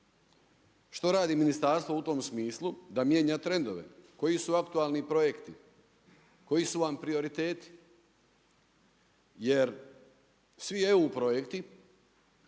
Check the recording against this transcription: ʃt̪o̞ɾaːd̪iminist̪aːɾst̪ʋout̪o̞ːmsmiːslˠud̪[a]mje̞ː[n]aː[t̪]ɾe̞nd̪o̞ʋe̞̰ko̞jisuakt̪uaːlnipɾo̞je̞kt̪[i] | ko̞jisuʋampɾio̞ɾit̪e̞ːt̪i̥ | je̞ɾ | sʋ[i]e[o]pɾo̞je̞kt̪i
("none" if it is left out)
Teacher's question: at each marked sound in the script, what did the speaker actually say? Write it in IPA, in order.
a, ɲ, t̪, i, i, u

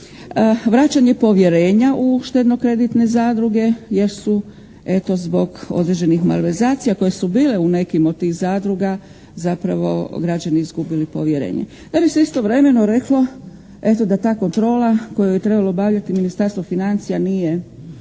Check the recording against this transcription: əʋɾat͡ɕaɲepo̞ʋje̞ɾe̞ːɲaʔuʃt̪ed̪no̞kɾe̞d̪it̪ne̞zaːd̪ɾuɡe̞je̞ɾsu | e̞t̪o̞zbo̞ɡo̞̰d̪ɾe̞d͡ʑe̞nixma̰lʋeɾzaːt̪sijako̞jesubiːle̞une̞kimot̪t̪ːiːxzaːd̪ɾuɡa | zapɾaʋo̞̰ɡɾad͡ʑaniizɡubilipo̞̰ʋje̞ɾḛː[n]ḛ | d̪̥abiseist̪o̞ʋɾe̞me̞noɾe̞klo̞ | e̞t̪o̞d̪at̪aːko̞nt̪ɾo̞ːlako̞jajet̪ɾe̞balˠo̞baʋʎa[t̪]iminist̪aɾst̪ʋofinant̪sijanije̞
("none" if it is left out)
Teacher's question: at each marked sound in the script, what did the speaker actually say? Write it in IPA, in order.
ɲ, t̪

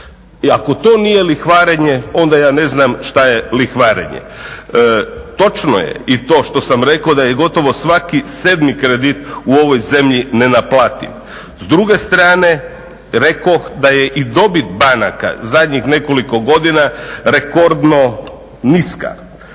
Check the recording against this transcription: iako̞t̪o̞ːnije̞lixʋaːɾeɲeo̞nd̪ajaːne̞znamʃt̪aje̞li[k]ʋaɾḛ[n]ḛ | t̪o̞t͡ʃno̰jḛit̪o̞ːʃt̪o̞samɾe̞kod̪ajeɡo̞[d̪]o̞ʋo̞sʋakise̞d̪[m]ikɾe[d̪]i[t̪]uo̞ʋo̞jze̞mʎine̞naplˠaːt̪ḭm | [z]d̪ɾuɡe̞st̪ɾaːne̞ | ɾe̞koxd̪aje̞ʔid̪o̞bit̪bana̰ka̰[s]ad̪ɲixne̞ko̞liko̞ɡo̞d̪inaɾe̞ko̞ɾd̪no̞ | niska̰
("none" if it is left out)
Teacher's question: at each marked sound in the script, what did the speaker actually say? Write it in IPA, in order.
x, ɲ, t̪, m, d̪, t̪, z, z

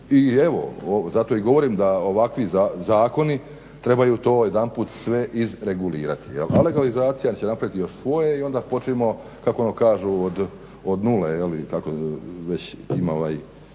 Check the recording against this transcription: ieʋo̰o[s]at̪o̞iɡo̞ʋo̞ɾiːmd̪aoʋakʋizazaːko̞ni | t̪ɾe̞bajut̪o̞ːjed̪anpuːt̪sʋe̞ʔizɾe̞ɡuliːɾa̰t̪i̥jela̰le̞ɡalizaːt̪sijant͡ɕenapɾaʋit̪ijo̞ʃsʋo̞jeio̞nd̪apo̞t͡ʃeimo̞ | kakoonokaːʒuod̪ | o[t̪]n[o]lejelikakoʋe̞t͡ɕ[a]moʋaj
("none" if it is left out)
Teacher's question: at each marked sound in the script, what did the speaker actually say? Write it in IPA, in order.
z, d̪, u, i

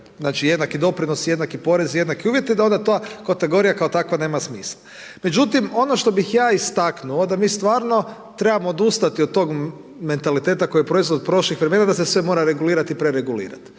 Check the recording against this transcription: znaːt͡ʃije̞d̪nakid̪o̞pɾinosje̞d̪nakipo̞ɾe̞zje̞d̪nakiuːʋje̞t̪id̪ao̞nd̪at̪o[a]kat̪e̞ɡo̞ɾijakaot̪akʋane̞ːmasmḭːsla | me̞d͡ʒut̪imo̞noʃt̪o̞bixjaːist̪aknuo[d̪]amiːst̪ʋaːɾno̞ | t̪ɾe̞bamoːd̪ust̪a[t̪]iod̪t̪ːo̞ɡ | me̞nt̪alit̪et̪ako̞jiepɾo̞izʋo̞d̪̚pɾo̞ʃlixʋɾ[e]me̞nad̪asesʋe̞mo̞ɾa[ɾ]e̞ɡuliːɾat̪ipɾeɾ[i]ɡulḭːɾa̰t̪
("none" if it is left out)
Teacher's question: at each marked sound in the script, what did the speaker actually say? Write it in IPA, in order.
a, d̪, t̪, e, ɾ, e

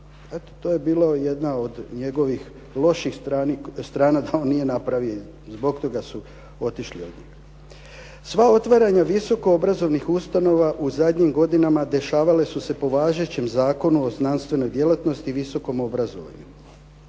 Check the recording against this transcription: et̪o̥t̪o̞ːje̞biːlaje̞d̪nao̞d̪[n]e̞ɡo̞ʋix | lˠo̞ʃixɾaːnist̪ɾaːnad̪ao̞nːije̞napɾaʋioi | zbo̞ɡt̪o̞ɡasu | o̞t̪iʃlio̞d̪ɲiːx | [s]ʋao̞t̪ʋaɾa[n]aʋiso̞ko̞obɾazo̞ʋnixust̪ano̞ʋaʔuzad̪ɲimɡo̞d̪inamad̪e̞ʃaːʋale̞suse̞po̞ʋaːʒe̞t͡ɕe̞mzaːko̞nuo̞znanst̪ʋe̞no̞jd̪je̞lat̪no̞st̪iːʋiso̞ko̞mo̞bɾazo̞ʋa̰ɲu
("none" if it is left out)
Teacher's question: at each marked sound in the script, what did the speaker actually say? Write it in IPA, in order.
ɲ, s, ɲ

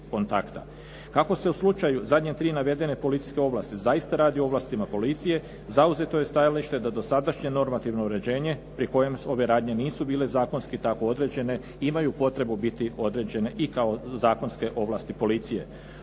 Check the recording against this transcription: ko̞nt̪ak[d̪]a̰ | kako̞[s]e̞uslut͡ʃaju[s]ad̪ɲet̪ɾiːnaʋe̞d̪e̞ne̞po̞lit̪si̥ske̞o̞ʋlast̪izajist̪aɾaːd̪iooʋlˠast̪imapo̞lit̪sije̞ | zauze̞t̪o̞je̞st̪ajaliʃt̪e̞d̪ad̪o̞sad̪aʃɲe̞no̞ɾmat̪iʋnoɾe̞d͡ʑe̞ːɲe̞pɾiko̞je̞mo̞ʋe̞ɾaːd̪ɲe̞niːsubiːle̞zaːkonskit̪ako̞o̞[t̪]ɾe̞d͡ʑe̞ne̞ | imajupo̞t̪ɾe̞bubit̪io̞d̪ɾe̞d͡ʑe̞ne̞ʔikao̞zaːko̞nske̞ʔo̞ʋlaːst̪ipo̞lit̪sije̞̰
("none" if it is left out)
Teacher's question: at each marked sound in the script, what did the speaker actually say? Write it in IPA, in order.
t̪, s, z, d̪

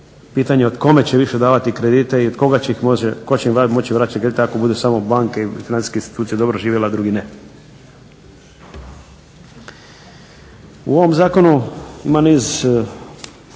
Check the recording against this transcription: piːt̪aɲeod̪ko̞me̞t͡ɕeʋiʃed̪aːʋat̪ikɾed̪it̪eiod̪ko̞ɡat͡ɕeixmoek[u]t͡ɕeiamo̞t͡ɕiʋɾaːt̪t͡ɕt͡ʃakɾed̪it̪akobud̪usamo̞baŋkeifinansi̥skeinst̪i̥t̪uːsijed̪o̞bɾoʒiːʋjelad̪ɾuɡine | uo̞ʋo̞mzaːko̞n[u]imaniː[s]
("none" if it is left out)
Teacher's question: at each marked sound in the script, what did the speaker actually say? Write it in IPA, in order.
o, u, z

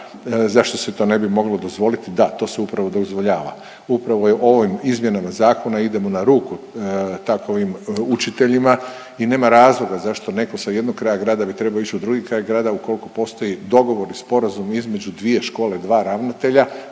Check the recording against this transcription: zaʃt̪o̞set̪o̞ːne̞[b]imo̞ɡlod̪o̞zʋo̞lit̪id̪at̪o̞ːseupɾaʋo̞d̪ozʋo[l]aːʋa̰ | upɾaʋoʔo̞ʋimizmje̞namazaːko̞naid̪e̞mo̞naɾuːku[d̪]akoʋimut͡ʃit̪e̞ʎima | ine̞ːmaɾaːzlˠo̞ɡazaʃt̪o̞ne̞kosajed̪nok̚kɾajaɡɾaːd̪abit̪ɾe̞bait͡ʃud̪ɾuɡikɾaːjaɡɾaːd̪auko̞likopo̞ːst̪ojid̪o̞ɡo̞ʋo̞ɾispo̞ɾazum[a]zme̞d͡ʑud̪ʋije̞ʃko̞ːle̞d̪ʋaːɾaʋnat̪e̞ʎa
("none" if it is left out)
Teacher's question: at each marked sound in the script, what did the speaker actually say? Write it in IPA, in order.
b, ʎ, t̪, i

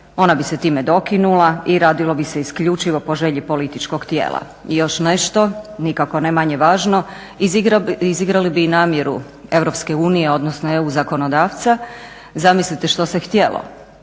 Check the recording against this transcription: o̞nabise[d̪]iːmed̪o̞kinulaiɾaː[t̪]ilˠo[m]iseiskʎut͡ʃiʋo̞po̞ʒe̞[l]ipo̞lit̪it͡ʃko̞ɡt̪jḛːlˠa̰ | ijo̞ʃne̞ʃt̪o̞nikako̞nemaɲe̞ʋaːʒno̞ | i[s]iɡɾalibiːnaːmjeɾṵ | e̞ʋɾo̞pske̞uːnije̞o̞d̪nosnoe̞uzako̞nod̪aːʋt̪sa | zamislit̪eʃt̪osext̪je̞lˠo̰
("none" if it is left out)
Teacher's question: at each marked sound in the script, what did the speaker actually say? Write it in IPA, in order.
t̪, d̪, b, ʎ, z

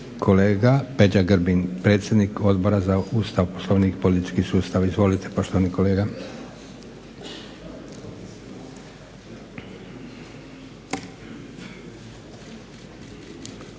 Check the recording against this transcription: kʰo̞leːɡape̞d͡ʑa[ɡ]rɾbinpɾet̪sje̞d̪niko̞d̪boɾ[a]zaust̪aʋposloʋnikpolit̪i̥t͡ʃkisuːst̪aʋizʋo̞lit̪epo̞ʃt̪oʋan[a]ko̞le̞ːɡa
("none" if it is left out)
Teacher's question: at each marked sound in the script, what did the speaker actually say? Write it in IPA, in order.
ɡ, a, i

